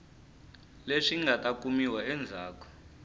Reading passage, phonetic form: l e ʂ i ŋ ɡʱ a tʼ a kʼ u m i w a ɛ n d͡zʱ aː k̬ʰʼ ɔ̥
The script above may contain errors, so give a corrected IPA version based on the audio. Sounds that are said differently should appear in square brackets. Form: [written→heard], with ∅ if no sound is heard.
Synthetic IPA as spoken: l e ʂ i ŋ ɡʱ a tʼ a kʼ u m i w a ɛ n d͡zʱ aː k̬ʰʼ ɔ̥